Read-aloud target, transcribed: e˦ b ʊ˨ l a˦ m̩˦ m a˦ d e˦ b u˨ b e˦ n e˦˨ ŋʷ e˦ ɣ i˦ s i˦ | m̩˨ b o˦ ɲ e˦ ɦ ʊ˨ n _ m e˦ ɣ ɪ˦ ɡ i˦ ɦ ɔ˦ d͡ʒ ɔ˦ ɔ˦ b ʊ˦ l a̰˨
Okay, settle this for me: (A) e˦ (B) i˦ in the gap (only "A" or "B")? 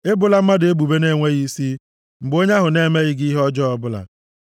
A